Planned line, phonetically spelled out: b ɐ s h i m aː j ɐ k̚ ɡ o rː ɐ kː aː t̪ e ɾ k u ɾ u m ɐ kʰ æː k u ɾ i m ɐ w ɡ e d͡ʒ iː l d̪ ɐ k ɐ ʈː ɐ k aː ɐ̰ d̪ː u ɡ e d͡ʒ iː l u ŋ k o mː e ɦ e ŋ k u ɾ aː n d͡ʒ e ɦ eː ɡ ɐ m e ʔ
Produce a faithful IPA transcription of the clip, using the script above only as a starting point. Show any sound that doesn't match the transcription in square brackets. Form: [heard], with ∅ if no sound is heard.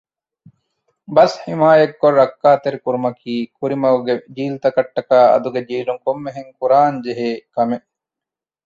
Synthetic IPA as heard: b ɐ s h i m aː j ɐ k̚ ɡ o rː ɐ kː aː t̪ e ɾ k u ɾ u m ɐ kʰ [iː] k u ɾ i m ɐ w ɡ e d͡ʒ iː l [t̪] ɐ k ɐ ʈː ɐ k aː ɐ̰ [d̪] u ɡ e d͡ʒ iː l u ŋ k o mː e ɦ e ŋ k u ɾ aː n d͡ʒ e ɦ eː [k] ɐ m e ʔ